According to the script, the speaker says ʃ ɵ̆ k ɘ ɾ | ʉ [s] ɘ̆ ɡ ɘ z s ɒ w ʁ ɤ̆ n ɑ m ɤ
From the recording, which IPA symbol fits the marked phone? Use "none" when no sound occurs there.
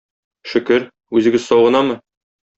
z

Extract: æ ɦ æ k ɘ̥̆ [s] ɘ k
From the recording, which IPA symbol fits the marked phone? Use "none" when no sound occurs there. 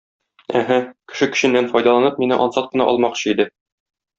ʃ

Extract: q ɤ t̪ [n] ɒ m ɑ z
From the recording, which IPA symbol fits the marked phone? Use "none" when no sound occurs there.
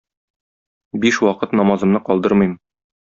n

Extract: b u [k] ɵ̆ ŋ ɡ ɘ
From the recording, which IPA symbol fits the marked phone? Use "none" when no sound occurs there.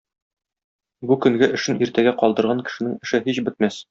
k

